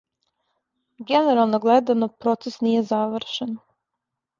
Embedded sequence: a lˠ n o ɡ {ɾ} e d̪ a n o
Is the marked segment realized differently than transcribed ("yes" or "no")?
yes